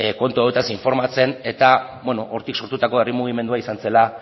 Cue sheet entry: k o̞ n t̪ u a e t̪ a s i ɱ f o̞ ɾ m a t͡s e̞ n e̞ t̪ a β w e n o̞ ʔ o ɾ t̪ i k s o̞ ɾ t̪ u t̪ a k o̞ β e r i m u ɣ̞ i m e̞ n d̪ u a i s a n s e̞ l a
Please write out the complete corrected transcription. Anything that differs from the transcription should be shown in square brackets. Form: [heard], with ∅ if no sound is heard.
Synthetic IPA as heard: k o̞ n t̪ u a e t̪ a s i ɱ f o̞ ɾ m a t͡s e̞ n e̞ t̪ a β w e n o̞ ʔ o ɾ t̪ i k s o̞ ɾ t̪ u t̪ a k o̞ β e r i m u ɣ̞ i m e̞ n d̪ u a i s a n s e̞ l a